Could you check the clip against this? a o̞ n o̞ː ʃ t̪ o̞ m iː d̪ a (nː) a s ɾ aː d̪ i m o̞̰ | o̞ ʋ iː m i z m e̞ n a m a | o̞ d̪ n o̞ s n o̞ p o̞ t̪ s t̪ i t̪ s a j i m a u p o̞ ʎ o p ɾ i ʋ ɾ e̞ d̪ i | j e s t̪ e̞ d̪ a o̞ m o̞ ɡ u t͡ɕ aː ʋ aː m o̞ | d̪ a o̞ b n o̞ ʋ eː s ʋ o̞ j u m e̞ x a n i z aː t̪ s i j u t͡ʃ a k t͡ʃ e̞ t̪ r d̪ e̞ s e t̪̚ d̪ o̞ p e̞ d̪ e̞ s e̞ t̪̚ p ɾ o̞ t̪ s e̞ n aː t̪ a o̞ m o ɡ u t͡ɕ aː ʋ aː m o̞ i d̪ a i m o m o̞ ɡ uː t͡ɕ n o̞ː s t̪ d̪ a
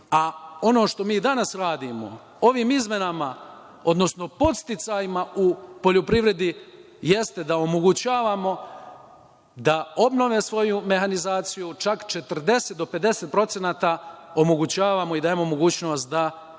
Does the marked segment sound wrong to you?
yes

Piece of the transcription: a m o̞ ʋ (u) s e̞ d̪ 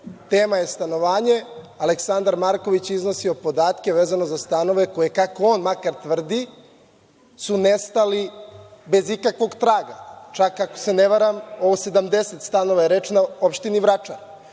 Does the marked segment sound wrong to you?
yes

